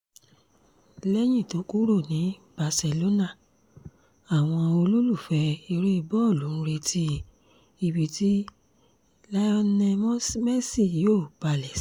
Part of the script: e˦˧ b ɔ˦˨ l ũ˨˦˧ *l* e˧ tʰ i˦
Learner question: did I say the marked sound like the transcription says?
no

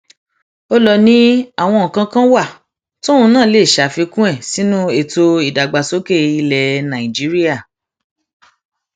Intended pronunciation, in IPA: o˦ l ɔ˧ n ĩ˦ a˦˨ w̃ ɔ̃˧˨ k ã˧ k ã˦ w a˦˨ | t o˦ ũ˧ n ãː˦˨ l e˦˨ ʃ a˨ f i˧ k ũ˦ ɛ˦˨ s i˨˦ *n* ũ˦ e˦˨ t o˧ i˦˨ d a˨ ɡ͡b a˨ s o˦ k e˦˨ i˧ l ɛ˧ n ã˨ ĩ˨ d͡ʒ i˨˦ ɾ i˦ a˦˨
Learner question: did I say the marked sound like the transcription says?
yes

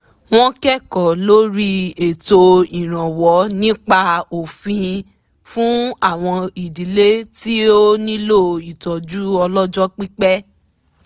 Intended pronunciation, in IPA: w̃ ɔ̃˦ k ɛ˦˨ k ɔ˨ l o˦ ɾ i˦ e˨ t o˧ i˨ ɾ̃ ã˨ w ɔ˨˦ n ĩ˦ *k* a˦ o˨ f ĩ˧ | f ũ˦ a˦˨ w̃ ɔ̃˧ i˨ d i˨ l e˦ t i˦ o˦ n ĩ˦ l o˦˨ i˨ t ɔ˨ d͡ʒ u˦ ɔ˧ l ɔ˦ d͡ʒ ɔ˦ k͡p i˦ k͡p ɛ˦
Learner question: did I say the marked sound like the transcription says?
no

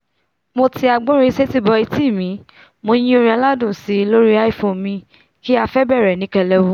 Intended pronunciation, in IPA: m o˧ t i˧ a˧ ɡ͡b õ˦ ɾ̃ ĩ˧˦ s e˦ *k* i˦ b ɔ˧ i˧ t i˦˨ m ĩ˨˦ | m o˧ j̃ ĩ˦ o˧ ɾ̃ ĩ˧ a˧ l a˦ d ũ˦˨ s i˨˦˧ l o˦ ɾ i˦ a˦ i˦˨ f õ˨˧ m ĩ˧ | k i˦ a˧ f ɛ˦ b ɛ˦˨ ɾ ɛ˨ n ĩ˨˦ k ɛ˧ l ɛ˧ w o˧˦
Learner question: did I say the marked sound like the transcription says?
no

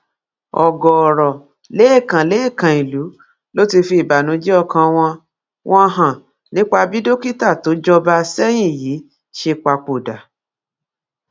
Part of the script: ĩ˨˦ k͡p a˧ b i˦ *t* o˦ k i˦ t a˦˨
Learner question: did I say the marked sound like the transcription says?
no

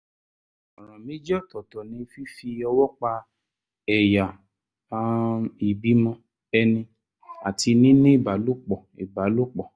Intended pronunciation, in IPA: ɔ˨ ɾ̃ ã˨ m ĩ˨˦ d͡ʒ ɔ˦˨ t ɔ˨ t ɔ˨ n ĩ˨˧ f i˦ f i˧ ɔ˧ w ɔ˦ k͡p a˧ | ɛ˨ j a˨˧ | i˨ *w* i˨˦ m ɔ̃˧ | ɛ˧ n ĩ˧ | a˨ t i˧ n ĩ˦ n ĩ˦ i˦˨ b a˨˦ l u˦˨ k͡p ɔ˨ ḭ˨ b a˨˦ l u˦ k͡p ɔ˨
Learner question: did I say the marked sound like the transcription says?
no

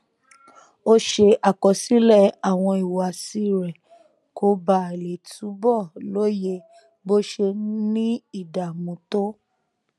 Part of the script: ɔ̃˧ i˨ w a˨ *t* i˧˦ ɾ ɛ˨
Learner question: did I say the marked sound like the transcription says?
no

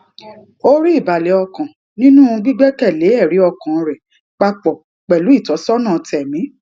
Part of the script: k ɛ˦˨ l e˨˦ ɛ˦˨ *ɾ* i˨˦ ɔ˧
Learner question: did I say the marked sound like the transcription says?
yes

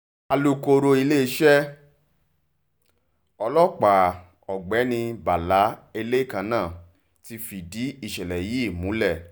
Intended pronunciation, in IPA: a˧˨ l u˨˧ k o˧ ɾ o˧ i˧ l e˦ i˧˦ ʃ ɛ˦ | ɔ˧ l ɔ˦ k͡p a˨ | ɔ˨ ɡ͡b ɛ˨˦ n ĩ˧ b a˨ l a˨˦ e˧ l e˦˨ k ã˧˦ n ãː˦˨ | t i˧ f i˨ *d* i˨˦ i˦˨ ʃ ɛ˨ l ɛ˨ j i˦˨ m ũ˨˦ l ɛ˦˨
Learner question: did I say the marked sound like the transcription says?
yes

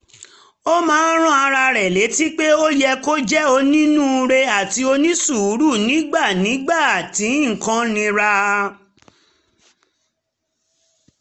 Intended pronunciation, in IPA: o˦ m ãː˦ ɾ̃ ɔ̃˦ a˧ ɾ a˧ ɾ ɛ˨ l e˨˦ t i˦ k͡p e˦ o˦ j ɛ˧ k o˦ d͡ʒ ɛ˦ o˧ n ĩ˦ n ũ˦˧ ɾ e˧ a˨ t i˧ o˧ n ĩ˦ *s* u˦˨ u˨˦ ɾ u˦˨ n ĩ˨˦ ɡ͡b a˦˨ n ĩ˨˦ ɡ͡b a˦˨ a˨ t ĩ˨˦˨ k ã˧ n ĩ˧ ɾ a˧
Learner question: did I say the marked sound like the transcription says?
yes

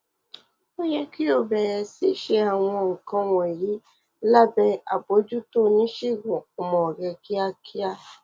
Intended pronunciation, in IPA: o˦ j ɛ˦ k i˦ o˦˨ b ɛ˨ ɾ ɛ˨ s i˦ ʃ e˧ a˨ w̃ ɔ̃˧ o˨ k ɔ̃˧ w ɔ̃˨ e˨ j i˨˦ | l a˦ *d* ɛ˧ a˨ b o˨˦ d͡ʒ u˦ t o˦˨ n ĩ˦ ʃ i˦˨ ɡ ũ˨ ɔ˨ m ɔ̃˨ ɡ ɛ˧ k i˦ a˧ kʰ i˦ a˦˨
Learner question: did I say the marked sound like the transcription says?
no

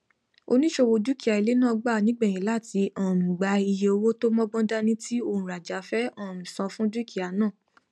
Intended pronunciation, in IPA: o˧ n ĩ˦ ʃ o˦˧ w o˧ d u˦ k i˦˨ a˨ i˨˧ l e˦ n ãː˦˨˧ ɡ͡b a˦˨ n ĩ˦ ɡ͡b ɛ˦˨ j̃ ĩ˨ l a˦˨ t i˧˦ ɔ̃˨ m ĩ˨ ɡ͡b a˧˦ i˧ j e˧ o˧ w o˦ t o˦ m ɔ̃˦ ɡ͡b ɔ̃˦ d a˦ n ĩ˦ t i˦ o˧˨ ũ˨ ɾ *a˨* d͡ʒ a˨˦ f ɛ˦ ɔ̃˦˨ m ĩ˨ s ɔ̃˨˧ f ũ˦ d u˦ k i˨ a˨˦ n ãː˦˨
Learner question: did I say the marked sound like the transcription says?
yes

